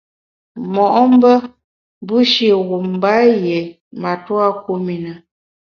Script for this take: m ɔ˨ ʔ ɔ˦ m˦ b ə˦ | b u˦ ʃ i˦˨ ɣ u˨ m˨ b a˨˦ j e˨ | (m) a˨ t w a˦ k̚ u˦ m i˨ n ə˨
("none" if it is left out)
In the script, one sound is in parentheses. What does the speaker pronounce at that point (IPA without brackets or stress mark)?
m